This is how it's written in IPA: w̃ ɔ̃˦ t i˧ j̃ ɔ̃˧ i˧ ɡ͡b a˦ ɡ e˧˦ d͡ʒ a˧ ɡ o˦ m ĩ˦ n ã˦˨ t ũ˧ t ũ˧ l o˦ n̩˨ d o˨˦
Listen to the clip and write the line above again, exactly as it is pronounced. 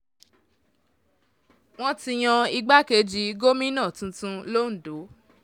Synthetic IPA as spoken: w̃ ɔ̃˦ t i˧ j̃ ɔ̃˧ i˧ ɡ͡b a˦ k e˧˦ d͡ʒ i˧ ɡ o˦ m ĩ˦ n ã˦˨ t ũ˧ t ũ˧ l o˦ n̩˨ d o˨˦